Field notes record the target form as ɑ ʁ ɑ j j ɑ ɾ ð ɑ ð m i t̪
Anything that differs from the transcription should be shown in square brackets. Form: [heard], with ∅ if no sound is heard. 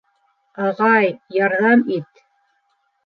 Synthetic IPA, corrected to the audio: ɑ ʁ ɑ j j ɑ ɾ ð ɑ [∅] m i t̪